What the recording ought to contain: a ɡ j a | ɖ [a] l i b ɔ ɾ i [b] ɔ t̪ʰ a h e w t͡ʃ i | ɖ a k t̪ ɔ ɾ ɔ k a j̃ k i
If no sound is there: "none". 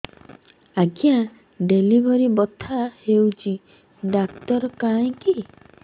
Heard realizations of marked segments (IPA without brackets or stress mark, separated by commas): e, b